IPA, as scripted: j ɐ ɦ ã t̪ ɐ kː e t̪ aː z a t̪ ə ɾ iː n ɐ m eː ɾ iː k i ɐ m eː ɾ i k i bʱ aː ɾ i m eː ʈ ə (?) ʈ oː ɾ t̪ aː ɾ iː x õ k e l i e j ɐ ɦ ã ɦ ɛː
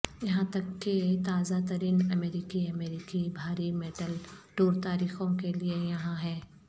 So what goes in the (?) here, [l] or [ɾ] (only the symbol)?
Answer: l